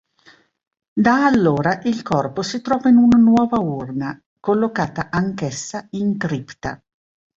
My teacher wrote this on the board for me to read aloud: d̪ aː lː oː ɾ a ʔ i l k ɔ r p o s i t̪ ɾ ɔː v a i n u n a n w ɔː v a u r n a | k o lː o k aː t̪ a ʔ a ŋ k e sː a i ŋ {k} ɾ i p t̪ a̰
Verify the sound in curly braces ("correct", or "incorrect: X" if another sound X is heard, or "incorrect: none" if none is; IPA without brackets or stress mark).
correct